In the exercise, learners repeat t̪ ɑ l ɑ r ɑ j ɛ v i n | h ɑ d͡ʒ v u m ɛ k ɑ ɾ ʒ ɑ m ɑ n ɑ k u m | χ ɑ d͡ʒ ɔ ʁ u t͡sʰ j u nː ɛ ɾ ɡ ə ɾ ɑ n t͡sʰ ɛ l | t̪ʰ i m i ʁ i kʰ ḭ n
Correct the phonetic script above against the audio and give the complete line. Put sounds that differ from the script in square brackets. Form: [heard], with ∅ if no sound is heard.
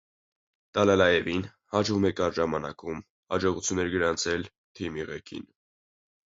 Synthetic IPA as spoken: t̪ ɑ l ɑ [l] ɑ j ɛ v i n | h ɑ d͡ʒ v u m ɛ k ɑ ɾ ʒ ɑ m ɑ n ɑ k u m | [h] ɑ d͡ʒ ɔ ʁ u t͡sʰ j u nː ɛ ɾ ɡ ə ɾ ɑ n t͡sʰ ɛ l | t̪ʰ i m i ʁ [ɛ] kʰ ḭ n